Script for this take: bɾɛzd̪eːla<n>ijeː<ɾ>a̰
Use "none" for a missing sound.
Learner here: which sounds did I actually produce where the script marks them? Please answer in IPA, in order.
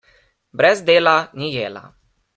n, l

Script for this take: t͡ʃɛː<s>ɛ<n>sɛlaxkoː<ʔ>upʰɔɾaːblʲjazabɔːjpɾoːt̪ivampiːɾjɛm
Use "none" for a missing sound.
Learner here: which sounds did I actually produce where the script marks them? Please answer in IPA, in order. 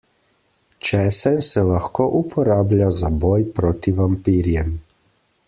s, n, ʔ

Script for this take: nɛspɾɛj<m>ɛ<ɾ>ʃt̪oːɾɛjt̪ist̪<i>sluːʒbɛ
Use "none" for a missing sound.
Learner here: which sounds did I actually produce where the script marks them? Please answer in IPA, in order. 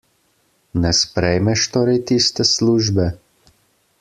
m, none, ɛ

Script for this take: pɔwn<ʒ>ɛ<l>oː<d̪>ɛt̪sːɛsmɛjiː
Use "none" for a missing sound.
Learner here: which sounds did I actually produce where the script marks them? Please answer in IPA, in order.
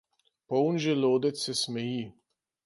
ʒ, l, d̪

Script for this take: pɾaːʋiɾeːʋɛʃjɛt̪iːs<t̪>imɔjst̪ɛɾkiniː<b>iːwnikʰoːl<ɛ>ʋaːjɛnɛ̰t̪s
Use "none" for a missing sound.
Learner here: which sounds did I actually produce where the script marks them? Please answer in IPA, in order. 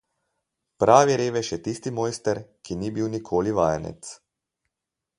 t̪, b, i

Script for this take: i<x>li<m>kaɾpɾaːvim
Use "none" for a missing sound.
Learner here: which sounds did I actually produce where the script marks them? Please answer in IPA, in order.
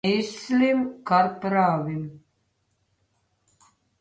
s, m

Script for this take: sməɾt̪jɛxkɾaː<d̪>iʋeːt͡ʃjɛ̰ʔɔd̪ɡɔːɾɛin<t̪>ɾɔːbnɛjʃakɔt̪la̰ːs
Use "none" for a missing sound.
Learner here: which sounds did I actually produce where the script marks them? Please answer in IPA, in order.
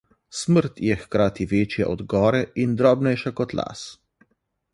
t̪, d̪

